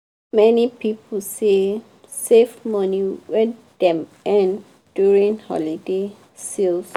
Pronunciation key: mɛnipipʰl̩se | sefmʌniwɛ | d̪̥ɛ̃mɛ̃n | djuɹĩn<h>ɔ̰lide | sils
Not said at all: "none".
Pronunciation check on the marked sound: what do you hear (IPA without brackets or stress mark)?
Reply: h